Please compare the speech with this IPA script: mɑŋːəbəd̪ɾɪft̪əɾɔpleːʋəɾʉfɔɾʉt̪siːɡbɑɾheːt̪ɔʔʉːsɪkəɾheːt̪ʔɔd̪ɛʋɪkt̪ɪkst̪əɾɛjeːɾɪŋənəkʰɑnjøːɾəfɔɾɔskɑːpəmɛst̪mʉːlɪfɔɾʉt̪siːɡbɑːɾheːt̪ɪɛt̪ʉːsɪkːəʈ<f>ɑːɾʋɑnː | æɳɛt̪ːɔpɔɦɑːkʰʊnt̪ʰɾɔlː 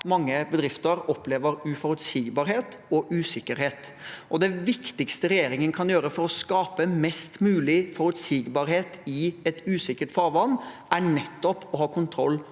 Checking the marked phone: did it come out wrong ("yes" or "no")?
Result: no